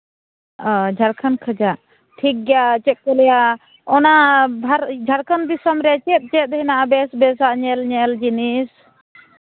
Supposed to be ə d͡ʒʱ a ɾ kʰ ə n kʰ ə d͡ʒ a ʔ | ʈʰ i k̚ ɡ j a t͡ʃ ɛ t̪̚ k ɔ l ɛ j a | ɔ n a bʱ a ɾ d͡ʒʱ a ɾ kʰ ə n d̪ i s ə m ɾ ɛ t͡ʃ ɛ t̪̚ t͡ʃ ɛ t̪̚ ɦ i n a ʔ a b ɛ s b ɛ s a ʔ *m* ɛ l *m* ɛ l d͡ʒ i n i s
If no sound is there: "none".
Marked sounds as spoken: ɲ, ɲ

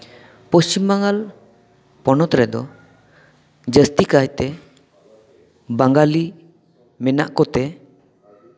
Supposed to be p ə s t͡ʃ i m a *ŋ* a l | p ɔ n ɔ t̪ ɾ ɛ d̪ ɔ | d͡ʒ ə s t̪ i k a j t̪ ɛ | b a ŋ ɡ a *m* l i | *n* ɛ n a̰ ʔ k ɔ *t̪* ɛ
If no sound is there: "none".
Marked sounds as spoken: ŋ, none, m, t̪

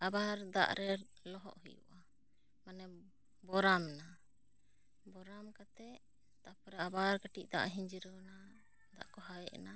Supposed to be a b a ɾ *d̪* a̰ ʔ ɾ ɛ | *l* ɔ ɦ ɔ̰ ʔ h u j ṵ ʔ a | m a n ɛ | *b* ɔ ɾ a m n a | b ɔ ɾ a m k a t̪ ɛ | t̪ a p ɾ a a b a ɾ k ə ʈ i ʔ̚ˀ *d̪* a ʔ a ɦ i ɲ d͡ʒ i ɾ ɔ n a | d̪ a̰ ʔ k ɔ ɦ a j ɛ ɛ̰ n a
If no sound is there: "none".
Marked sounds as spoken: d̪, l, b, d̪

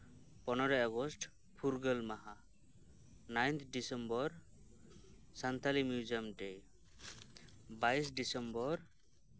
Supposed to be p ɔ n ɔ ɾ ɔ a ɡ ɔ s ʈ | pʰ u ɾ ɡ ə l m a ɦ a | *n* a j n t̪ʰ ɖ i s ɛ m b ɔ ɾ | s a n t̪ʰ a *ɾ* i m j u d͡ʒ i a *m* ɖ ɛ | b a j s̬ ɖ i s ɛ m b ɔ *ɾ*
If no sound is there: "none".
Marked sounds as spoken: n, l, m, ɾ

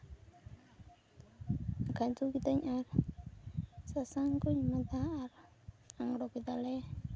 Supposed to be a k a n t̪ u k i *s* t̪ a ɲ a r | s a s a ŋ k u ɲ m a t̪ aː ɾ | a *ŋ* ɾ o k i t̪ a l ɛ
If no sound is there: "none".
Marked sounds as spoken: none, ŋ

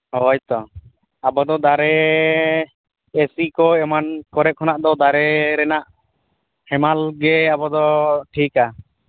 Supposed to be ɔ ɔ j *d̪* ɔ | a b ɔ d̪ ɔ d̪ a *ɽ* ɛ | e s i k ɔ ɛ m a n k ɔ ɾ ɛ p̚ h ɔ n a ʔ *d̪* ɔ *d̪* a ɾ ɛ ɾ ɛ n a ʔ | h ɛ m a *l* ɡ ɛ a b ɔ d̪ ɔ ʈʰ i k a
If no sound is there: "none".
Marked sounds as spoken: t̪, ɾ, d̪, d̪, l

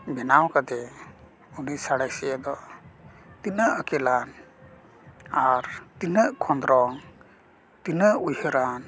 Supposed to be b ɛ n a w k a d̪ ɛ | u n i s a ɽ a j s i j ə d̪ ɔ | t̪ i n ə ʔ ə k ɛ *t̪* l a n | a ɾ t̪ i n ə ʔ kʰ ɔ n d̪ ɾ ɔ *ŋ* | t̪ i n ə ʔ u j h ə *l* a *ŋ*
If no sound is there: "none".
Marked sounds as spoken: none, ŋ, ɾ, n

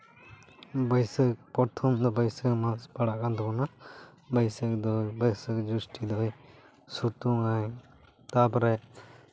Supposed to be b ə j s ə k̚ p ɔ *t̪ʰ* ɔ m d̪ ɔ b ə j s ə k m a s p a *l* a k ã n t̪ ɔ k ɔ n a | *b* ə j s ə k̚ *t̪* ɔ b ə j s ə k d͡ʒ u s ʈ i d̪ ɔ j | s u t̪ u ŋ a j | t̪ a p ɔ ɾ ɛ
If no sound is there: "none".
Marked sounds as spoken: t̪ʰ, ɽ, b, d̪

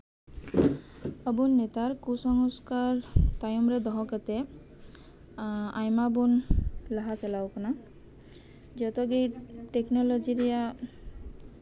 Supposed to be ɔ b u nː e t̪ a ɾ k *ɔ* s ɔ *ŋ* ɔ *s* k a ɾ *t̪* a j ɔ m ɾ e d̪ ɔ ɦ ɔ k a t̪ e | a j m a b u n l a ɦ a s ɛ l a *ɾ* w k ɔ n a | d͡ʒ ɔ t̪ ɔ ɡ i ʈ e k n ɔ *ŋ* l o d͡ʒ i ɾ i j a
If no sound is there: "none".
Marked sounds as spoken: u, ŋ, s, t̪, none, none

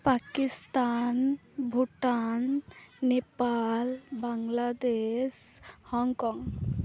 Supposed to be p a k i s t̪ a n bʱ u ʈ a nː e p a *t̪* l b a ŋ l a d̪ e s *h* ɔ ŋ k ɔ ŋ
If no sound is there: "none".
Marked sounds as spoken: none, h

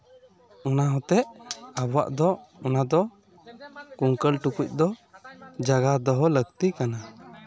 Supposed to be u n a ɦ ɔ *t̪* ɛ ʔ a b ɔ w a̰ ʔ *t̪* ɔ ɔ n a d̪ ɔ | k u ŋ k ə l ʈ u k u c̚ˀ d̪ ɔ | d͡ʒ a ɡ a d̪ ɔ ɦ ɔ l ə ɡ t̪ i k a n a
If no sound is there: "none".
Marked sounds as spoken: t̪, d̪

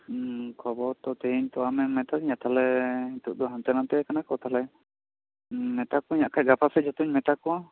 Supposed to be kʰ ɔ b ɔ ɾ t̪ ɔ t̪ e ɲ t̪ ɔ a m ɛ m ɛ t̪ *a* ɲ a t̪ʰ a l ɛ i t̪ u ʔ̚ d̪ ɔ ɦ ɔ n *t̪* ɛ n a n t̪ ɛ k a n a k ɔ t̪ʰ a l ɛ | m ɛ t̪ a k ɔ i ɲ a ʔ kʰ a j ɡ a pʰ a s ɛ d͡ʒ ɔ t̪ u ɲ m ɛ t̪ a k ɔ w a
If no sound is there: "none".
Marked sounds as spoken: a, t̪

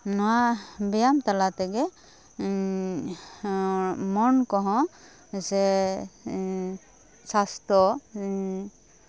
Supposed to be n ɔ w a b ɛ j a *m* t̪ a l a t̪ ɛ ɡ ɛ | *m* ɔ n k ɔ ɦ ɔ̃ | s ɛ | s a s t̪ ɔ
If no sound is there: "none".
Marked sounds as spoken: m, m

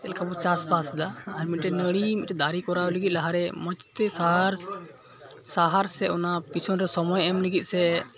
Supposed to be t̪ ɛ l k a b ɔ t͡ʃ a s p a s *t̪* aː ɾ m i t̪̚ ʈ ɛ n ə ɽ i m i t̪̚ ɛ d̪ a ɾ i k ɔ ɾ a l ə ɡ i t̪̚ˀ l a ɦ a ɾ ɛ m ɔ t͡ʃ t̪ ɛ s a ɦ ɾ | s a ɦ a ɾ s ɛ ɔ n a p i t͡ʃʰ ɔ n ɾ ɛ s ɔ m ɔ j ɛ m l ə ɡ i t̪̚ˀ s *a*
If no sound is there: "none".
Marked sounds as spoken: d̪, ɛ

